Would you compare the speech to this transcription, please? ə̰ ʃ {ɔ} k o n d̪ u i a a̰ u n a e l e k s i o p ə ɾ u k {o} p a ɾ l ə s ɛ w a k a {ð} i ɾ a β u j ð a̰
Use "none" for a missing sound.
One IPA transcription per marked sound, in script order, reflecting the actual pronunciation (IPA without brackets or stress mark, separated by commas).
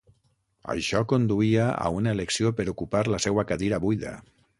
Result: ɔ, u, ð